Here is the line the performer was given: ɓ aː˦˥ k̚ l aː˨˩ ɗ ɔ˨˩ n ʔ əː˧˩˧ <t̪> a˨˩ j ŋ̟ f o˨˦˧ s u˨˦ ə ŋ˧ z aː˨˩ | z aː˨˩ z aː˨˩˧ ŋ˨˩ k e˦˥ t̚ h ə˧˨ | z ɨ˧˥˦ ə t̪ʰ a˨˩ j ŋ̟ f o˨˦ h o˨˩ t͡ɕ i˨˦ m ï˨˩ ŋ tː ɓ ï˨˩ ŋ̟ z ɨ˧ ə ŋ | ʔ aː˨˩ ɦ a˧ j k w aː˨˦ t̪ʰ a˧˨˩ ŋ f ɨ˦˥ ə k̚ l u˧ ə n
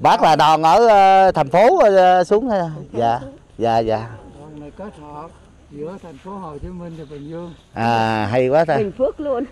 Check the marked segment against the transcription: incorrect: t̪ʰ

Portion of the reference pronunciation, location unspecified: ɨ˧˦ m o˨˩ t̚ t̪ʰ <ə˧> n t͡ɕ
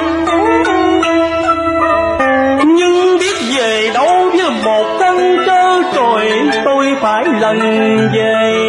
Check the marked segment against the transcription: correct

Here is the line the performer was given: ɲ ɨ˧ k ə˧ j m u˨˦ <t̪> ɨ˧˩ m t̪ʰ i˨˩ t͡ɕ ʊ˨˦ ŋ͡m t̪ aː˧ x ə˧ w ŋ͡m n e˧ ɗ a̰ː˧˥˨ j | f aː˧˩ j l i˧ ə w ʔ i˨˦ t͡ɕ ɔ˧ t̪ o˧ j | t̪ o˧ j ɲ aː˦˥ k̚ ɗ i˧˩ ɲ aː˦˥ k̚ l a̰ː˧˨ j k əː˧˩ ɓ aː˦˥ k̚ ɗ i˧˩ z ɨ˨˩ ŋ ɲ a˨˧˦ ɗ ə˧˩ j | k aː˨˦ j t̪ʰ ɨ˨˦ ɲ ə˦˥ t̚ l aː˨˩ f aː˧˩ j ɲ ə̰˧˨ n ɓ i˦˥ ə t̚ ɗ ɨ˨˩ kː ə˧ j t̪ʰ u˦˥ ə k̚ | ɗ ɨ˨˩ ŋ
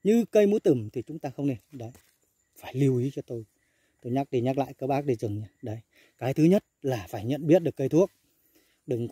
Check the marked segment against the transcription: correct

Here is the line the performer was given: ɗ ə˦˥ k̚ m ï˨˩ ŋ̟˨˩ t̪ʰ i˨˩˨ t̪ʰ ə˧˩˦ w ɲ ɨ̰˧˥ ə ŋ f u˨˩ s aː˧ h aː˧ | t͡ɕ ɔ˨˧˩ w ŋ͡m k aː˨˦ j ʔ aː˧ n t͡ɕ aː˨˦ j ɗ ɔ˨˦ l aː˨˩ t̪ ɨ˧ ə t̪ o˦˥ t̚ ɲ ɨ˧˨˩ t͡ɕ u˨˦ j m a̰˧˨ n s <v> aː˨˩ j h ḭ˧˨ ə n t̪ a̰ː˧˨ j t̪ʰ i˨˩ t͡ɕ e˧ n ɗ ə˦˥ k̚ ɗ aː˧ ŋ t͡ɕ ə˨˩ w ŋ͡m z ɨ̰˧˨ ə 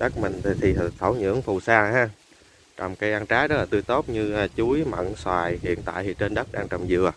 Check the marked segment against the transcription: incorrect: w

